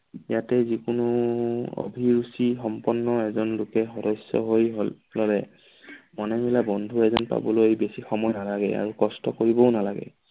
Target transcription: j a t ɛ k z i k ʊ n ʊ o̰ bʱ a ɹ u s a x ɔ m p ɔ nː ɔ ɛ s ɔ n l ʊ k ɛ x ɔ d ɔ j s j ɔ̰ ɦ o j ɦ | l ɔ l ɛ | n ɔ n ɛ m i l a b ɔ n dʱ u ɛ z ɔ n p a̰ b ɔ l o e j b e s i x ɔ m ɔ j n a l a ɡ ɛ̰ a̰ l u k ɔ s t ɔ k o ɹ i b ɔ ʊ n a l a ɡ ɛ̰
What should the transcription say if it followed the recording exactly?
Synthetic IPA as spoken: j a t ɛ z i k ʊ n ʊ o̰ bʱ i ɹ u s i x ɔ m p ɔ nː ɔ ɛ z ɔ n l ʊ k ɛ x ɔ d ɔ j s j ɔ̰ ɦ o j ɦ | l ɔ l ɛ | m ɔ n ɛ m i l a b ɔ n dʱ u ɛ z ɔ n p a̰ b ɔ l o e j b e s i x ɔ m ɔ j n a l a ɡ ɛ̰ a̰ ɹ u k ɔ s t ɔ k o ɹ i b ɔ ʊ n a l a ɡ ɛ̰